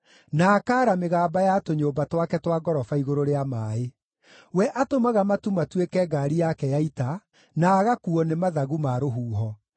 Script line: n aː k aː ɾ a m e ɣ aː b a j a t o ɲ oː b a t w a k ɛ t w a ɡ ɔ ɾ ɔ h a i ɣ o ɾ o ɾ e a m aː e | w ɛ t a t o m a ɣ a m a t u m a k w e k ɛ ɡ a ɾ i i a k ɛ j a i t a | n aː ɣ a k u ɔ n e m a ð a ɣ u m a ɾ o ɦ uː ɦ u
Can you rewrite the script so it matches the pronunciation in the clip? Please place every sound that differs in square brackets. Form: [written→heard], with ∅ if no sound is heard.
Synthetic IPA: n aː k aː ɾ a m e ɣ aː b a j a t o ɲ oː b a t w a k ɛ t w a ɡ ɔ ɾ ɔ [h→f] a i ɣ o ɾ o ɾ e a m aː e | w ɛ [t→ʔ] a t o m a ɣ a m a t u m a [k→t] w e k ɛ ɡ a ɾ i [i→j] a k ɛ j a i t a | n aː ɣ a k u ɔ n e m a ð a ɣ u m a ɾ o ɦ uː ɦ [u→ɔ]